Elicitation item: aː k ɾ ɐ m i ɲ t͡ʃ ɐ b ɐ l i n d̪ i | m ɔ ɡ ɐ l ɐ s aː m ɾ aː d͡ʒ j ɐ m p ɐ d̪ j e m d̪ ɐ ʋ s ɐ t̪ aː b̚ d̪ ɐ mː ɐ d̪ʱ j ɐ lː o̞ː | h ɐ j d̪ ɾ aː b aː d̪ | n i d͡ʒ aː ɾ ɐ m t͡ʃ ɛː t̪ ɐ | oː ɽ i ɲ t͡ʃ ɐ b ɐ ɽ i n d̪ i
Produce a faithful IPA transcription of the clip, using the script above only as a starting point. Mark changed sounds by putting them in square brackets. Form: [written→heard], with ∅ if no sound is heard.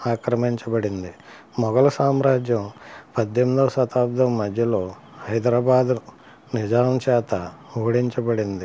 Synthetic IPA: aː k ɾ ɐ m i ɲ t͡ʃ ɐ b ɐ [l→ɽ] i n d̪ i | m ɔ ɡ ɐ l ɐ s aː m ɾ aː d͡ʒ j ɐ m p ɐ d̪ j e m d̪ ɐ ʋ s ɐ t̪ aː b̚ d̪ ɐ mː ɐ d̪ʱ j ɐ [lː→l] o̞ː | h ɐ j d̪ ɾ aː b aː d̪ | n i d͡ʒ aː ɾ ɐ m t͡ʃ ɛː t̪ ɐ | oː ɽ i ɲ t͡ʃ ɐ b ɐ ɽ i n d̪ i